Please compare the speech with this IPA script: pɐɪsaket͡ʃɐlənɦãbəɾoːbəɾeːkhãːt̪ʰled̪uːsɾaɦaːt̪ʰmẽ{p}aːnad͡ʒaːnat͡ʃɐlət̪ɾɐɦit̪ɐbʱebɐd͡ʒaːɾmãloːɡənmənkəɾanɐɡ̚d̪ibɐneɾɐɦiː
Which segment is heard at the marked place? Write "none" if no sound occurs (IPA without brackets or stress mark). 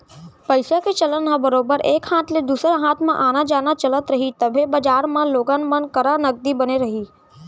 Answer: ʔ